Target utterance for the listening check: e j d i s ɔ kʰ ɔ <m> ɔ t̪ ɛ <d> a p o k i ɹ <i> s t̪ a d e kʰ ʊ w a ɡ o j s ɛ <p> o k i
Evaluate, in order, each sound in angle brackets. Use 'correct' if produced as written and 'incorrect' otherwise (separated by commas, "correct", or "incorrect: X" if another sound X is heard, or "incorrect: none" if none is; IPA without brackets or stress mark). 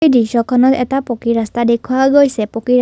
incorrect: n, incorrect: t, incorrect: a, correct